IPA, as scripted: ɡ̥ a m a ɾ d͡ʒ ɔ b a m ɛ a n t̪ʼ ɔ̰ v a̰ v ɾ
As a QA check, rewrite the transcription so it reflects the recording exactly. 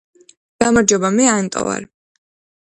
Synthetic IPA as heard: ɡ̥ a m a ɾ d͡ʒ ɔ b a m ɛ a n t̪ʼ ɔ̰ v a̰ ɾ

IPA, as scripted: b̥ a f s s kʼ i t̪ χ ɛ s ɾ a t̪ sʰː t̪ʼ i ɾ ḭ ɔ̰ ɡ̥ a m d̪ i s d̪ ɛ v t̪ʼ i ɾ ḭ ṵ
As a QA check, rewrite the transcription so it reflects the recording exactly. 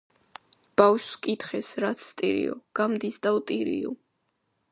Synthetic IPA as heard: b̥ a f ʃ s kʼ i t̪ χ ɛ s ɾ a t̪ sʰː t̪ʼ i ɾ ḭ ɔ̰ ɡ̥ a m d̪ i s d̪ a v t̪ʼ i ɾ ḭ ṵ

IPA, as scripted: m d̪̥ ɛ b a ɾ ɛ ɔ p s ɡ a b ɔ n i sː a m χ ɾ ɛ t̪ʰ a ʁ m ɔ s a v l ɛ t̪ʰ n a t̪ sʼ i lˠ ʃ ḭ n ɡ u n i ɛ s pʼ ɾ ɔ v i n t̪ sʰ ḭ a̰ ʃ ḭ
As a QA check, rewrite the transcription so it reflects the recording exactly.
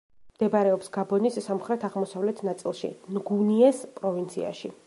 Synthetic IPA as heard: m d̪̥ ɛ b a ɾ ɛ ɔ p s ɡ a b ɔ n i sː a m χ ɾ ɛ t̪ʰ a ʁ m ɔ s a v l ɛ t̪ʰ n a t̪ sʼ i lˠ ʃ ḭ n ɡ u n i ɛ s pʼ ɾ ɔ v i n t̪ sʰ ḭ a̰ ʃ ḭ

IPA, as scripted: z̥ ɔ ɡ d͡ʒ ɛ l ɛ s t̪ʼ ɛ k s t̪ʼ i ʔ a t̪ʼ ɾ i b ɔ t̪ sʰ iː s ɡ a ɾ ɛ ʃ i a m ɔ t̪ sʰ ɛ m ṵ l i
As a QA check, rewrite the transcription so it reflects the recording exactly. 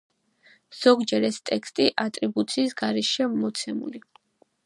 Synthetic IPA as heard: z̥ ɔ ɡ d͡ʒ ɛ ɾ ɛ s t̪ʼ ɛ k s t̪ʼ i ʔ a t̪ʼ ɾ i b u t̪ sʰ iː s ɡ a ɾ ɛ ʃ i a m ɔ t̪ sʰ ɛ m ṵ l i

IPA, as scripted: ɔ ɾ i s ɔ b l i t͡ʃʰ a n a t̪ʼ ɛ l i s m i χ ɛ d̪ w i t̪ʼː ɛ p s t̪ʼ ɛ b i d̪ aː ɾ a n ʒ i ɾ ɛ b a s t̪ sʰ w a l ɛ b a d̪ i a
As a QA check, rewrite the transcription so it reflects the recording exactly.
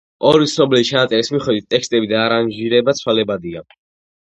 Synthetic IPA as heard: ɔ ɾ i s ɔ b l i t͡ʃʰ a n a t̪ʼ ɛ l i s m i χ ɛ d̪ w i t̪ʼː ɛ k s t̪ʼ ɛ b i d̪ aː ɾ a n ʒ i ɾ ɛ b a t̪ sʰ w a l ɛ b a d̪ i a

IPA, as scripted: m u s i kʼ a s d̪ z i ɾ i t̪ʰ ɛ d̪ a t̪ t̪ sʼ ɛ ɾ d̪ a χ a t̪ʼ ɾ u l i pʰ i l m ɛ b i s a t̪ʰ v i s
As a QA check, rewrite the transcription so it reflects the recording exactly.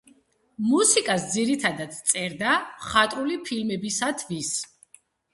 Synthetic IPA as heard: m u s i kʼ a s d̪ z i ɾ i t̪ʰ a d̪ a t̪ t̪ sʼ ɛ ɾ d̪ a χ a t̪ʼ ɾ u l i pʰ i l m ɛ b i s a t̪ʰ v i s

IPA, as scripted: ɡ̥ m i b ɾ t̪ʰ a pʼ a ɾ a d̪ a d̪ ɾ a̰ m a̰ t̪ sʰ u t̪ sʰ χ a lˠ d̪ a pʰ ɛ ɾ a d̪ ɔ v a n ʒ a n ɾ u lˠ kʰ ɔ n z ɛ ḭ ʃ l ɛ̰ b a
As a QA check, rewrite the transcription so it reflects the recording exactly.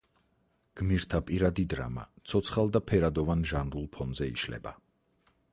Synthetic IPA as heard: ɡ̥ m i ɾ t̪ʰ a pʼ i ɾ a d̪ i d̪ ɾ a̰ m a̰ t̪ sʰ ɔ t̪ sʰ χ a lˠ d̪ a pʰ ɛ ɾ a d̪ ɔ v a n ʒ a n ɾ u lˠ pʰ ɔ n z ɛ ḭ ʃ l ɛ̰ b a

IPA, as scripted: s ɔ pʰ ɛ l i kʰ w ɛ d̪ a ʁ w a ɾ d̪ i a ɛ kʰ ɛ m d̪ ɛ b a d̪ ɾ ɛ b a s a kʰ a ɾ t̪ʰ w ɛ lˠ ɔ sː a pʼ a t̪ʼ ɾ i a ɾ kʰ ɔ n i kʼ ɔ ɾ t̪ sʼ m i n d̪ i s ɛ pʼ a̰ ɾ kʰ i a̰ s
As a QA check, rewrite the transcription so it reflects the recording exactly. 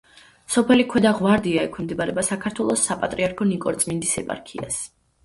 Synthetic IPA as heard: s ɔ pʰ ɛ l i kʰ w ɛ d̪ a ʁ w a ɾ d̪ i a ɛ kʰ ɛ m d̪ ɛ b a ɾ ɛ b a s a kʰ a ɾ t̪ʰ w ɛ lˠ ɔ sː a pʼ a t̪ʼ ɾ i a ɾ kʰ ɔ n i kʼ ɔ ɾ t̪ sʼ m i n d̪ i s ɛ pʼ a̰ ɾ kʰ i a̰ s

